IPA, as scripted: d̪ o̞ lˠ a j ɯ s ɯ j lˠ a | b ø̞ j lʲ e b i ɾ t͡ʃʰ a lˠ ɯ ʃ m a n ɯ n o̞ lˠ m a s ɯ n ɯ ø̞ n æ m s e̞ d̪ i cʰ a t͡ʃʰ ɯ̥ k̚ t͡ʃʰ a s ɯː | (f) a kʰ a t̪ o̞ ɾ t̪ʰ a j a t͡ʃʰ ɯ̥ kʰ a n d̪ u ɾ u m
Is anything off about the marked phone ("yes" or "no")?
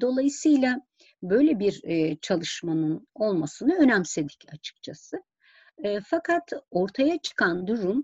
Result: no